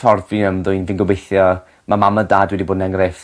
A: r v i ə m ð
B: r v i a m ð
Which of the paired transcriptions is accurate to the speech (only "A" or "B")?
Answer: A